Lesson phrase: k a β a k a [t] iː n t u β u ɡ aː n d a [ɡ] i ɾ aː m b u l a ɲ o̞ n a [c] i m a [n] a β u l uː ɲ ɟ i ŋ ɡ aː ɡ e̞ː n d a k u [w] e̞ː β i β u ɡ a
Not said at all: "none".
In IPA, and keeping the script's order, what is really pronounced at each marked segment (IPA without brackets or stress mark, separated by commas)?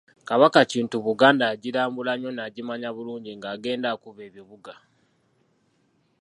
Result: c, ɟ, ɟ, ɲ, β